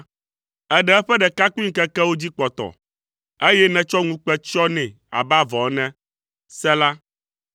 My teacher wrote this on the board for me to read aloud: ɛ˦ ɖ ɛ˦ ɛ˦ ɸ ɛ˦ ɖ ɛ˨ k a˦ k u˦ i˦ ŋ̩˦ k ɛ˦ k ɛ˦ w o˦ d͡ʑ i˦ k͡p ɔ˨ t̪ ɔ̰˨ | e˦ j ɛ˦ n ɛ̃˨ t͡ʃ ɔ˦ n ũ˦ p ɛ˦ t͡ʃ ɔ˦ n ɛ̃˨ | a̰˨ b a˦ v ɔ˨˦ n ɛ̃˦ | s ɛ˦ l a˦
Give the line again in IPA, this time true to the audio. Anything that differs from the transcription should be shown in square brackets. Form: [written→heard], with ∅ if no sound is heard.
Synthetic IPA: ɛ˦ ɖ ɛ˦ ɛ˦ ɸ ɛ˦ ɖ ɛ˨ k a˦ k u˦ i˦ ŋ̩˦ k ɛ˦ k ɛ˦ w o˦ d͡ʑ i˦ k͡p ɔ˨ t̪ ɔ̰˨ | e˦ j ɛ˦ n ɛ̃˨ t͡ʃ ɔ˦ [n→ŋ] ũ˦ [p→k͡p] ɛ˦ t͡ʃ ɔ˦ n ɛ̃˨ | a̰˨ b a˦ v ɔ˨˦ n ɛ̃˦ | s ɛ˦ l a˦